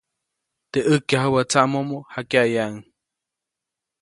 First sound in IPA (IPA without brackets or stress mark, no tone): t̪